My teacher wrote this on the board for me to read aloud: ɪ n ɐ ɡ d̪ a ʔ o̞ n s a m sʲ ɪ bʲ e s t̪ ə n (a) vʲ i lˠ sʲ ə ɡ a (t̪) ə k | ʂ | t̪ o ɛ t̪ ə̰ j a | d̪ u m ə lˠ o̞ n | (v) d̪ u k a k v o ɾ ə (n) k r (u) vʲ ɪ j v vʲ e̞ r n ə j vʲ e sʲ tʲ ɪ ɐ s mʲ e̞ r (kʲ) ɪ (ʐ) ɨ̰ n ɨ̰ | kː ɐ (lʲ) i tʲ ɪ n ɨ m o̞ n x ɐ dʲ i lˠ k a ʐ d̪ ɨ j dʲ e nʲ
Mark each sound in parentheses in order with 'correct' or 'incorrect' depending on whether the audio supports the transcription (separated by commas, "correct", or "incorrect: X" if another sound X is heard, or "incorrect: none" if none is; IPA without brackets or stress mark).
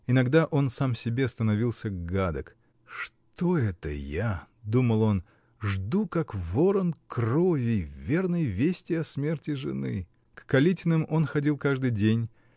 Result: incorrect: ɐ, incorrect: d̪, incorrect: ʐ, correct, incorrect: o, incorrect: tʲ, correct, correct